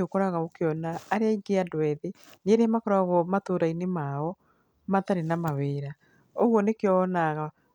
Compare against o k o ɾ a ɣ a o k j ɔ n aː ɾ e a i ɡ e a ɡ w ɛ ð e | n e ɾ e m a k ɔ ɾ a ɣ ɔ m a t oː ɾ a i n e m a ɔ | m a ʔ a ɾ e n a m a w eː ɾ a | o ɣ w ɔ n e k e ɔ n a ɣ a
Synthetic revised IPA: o k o ɾ a ɣ a o k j ɔ n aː ɾ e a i ɡ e a d w ɛ ð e | n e ɾ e m a k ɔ ɾ a ɣ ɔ m a t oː ɾ a i n e m a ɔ | m a t a ɾ e n a m a w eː ɾ a | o ɣ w ɔ n e k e ɔ n a ɣ a